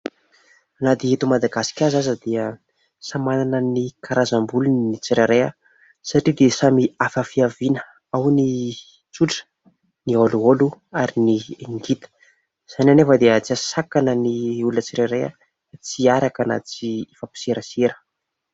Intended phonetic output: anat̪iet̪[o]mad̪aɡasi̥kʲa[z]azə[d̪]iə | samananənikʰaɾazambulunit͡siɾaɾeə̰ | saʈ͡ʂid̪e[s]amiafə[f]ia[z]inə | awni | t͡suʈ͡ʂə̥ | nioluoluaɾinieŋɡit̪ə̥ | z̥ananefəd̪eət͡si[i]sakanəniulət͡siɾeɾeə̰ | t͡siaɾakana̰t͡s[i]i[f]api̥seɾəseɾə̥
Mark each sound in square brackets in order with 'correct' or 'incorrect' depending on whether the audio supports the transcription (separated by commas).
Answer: incorrect, correct, correct, correct, correct, incorrect, incorrect, correct, correct